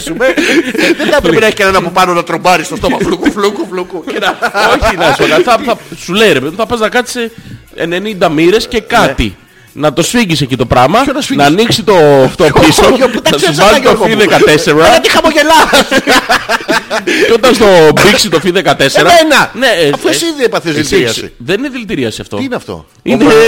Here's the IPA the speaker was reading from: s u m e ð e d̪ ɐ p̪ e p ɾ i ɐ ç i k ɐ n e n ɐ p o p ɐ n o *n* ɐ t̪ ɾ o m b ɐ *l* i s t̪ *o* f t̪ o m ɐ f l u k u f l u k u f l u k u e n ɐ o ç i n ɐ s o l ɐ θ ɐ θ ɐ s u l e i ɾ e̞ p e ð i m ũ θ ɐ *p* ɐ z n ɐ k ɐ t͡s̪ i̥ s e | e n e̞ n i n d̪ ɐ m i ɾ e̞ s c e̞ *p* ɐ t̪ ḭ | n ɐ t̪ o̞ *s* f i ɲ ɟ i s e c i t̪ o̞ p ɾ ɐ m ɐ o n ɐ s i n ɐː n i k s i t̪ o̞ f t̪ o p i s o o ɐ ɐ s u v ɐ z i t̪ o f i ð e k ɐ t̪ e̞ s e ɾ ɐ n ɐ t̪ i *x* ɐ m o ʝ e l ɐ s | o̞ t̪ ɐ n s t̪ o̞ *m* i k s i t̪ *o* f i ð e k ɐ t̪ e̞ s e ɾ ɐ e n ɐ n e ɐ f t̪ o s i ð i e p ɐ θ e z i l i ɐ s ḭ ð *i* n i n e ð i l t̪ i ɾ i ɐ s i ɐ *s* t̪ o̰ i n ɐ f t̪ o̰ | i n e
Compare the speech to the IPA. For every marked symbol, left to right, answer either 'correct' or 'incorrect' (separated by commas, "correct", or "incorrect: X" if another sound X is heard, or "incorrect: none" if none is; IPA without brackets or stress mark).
correct, incorrect: ɾ, correct, correct, incorrect: k, correct, correct, incorrect: b, correct, incorrect: e, incorrect: f